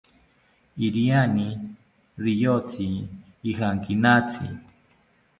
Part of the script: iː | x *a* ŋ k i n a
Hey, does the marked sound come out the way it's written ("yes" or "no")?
yes